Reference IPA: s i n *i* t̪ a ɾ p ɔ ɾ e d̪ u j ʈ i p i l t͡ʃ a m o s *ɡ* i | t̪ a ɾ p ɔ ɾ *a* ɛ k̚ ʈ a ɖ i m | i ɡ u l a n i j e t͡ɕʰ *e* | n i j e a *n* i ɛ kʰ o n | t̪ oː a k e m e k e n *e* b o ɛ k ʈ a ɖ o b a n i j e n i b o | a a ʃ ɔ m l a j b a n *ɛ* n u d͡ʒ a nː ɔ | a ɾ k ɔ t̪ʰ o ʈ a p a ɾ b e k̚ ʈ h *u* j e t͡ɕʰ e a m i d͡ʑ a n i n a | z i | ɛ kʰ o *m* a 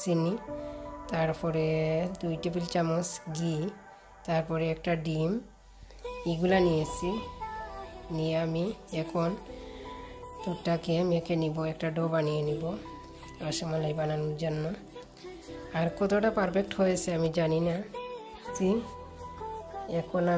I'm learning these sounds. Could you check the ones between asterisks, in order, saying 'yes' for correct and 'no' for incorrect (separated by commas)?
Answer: yes, yes, no, no, no, no, no, no, no